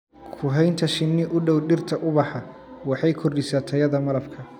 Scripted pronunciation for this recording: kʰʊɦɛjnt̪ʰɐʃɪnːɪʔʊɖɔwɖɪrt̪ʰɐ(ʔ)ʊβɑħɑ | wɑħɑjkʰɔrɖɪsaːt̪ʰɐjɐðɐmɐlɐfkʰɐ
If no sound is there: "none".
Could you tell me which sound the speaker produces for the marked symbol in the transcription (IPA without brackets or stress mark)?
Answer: ʔ